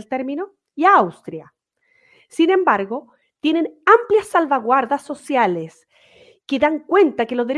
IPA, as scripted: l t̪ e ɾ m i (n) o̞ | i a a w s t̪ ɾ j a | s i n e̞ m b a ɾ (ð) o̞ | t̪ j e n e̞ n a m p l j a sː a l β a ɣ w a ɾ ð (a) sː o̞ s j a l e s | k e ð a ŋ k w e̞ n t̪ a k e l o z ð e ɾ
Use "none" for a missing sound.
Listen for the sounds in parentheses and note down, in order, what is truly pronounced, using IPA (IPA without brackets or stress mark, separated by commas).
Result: n, ɣ, a